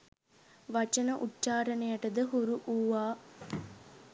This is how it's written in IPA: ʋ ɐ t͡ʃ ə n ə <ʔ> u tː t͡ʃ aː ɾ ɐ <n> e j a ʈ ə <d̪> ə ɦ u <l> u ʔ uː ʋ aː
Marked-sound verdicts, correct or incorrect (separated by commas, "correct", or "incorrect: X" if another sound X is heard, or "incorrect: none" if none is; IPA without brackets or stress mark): correct, correct, correct, incorrect: ɾ